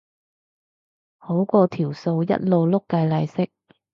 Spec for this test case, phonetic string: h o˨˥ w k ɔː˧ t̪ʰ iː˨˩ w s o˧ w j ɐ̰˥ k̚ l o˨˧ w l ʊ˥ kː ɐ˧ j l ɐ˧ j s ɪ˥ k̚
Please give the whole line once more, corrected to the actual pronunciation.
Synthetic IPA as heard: h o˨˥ w k ɔː˧ t̪ʰ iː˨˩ w s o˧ w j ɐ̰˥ t̚ l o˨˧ w l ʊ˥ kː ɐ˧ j l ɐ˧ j s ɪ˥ k̚

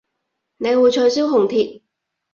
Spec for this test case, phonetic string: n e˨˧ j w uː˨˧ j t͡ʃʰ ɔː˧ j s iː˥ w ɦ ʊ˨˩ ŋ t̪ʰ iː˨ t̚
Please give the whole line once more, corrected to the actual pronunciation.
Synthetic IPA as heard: n e˨˧ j w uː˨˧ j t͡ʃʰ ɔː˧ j s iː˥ w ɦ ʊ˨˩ ŋ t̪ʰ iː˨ t̚

